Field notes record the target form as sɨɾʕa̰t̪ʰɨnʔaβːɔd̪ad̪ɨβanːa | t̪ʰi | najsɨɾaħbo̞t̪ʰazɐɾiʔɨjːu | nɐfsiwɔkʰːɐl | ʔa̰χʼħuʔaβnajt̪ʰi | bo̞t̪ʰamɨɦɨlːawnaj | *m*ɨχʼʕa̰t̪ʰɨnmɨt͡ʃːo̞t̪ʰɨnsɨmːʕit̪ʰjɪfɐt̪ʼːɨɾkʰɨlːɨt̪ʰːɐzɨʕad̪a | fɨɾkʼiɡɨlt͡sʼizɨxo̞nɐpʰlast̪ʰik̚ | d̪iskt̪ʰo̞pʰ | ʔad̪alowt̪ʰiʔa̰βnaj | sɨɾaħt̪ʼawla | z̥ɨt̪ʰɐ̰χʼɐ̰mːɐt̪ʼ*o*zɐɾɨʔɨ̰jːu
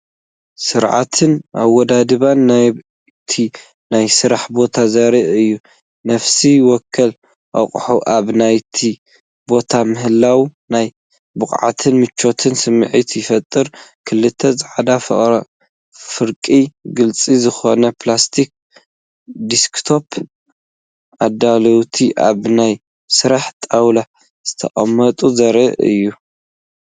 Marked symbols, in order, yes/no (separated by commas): no, no